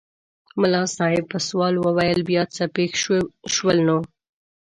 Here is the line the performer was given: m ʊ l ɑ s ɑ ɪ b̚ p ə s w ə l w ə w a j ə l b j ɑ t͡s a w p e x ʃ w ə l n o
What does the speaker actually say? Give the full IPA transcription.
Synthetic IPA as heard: m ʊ l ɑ s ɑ ɪ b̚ p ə s w ɑ l w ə w a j ə l b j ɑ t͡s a p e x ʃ w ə l n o